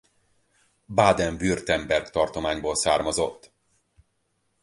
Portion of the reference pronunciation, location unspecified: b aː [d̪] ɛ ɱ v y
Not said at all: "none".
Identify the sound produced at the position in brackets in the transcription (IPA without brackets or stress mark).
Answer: d̪